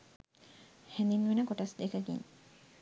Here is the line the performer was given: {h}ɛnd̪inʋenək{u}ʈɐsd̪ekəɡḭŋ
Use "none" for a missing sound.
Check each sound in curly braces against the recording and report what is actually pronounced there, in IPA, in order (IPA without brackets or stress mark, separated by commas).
h, o